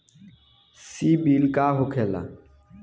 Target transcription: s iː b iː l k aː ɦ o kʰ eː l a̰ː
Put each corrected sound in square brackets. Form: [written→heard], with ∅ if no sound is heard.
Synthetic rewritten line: s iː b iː l k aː ɦ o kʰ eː l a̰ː